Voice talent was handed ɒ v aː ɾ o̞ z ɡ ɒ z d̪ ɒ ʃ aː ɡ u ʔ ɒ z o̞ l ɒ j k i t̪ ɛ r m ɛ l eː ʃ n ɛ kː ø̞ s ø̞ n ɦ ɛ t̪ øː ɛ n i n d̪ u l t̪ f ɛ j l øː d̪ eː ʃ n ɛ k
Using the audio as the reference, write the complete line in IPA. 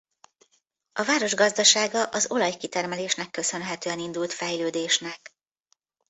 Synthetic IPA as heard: ɒ v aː ɾ o̞ ʒ ɡ ɒ z d̪ ɒ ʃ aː ɡ ɒ ʔ ɒ z o̞ l ɒ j k i t̪ ɛ r m ɛ l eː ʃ n ɛ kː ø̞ s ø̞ n ɦ ɛ t̪ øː ɛ n i n d̪ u l t̪ f ɛ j l øː d̪ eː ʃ n ɛ k